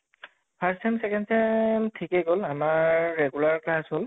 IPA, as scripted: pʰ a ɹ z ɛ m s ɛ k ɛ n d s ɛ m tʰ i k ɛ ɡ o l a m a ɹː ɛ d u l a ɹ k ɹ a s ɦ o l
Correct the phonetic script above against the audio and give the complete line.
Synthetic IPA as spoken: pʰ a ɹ s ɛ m s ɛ k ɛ n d s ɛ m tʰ i k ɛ ɡ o l a m a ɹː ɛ ɡ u l a ɹ k l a s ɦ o l